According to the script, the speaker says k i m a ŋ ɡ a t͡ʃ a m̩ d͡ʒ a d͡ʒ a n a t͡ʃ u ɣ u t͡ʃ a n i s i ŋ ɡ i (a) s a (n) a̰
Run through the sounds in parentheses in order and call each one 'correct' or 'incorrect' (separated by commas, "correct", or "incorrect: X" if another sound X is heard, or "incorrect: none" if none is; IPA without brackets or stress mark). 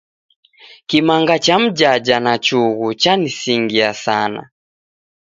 correct, correct